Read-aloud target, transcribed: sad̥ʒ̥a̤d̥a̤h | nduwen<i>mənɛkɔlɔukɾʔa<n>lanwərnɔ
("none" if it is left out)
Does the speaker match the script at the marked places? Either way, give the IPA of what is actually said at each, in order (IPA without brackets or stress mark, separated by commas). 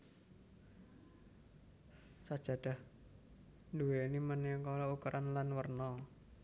i, n